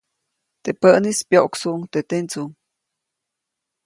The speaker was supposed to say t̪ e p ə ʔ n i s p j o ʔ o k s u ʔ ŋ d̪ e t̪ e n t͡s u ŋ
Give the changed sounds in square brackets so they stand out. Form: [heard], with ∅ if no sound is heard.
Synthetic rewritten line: t̪ e p ə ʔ n i s p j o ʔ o k s u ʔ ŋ [t̪] e t̪ e n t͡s u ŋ

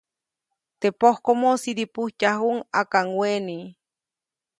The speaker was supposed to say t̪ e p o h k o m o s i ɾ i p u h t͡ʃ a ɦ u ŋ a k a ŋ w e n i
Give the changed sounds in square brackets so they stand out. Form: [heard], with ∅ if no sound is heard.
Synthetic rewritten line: t̪ e p o h k o m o s i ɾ i p u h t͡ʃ a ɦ u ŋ a k a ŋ w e n i

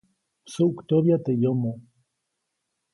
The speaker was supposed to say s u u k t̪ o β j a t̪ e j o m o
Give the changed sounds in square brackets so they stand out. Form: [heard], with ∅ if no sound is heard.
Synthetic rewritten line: s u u k t̪ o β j a t̪ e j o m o

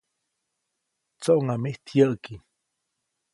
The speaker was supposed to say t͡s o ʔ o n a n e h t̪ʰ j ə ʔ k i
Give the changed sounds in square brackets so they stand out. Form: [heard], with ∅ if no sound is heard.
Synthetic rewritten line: t͡s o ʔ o [ŋ] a [m] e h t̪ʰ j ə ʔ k i

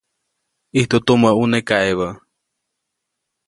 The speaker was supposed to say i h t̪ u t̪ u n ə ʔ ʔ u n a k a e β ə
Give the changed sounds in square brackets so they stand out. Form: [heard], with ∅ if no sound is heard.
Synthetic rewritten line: i h t̪ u t̪ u [m] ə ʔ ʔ u n [e] k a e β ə

